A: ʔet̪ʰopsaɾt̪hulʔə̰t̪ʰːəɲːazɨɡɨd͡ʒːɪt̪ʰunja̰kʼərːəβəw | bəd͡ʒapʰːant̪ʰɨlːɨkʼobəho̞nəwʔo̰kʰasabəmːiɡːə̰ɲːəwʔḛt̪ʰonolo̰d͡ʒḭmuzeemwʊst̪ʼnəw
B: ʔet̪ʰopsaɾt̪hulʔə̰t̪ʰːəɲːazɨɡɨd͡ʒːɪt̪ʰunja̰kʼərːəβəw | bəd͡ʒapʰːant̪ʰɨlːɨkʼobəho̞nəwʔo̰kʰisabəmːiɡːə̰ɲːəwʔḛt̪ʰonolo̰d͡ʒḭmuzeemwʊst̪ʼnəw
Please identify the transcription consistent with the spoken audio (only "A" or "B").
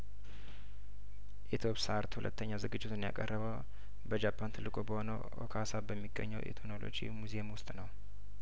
A